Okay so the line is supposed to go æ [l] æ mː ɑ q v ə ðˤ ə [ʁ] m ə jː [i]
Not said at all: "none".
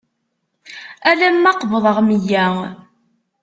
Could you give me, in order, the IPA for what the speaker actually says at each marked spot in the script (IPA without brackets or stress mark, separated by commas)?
l, ʁ, æ